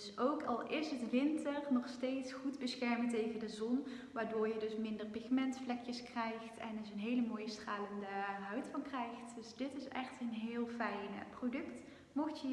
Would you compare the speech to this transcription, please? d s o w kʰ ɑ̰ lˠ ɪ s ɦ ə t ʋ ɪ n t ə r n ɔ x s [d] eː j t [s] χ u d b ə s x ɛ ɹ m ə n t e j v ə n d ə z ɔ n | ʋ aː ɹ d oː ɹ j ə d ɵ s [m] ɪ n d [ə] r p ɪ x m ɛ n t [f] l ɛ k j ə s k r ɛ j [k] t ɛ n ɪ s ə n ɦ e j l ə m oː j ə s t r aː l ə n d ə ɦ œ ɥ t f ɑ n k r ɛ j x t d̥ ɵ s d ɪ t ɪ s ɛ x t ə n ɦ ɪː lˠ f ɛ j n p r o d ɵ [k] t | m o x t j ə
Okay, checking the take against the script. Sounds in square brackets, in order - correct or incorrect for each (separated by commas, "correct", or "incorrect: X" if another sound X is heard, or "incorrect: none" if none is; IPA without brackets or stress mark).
incorrect: t, correct, correct, correct, correct, incorrect: x, correct